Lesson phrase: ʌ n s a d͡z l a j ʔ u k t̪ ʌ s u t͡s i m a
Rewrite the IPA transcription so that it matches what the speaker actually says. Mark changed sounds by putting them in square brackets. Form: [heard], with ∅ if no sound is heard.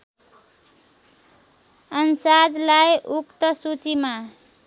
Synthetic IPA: ʌ n s a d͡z l a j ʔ u k t̪ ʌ s u t͡s i m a